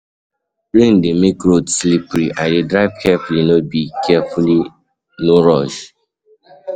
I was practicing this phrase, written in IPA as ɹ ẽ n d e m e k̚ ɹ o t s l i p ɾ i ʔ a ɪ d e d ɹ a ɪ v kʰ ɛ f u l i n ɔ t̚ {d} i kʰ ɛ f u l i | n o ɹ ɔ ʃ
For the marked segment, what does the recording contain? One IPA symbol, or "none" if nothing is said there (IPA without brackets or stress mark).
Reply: b